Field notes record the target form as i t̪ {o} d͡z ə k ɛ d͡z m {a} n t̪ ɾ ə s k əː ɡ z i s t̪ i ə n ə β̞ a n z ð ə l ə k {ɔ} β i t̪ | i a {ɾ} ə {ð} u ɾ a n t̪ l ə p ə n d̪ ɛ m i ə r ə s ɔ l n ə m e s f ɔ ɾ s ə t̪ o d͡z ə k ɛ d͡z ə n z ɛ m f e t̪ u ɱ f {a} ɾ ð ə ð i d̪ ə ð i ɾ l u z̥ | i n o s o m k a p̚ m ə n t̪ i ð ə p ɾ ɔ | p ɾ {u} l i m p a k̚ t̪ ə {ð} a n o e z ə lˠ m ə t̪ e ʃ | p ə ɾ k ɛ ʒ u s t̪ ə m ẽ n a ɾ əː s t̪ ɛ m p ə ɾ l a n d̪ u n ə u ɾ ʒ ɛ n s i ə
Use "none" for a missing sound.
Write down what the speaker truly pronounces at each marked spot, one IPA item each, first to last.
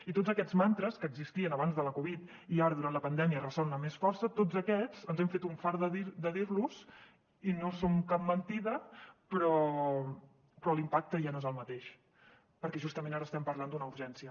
o, a, u, ɾ, ð, a, ɔ, ʒ

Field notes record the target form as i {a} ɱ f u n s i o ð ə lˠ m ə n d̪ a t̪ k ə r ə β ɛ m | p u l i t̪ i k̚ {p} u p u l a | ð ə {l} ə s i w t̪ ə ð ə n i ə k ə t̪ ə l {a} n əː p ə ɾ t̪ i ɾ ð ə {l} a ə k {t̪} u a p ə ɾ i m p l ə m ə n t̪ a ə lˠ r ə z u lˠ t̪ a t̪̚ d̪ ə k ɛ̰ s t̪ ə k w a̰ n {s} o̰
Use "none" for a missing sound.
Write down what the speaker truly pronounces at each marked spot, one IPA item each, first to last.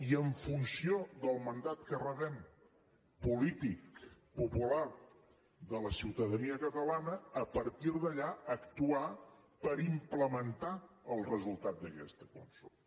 ə, p, l, a, ʎ, t̪, s

